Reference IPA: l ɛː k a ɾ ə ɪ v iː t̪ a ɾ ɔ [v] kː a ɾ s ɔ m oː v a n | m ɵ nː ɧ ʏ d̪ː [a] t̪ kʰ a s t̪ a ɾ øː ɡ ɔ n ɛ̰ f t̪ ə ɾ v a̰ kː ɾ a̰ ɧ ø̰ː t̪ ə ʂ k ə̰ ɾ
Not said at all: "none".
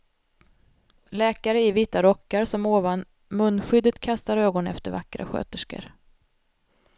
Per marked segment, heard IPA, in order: none, ə

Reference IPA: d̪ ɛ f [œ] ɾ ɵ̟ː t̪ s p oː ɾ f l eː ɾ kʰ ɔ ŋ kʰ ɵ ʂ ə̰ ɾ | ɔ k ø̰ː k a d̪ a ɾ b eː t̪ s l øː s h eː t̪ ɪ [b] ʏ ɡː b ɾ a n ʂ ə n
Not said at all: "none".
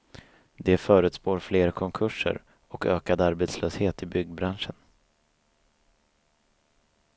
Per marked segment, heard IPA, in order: œː, b

